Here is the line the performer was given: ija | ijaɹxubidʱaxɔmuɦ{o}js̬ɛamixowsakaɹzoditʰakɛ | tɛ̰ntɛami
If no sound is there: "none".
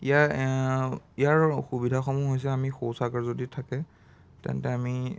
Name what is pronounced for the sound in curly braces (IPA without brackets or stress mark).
o